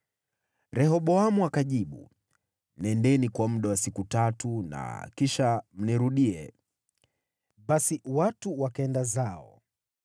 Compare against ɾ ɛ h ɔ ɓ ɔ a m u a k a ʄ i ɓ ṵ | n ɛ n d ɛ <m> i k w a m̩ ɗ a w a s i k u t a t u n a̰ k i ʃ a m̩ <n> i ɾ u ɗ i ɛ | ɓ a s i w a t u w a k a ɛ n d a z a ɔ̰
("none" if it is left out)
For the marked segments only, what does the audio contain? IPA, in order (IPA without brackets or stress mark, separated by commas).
n, n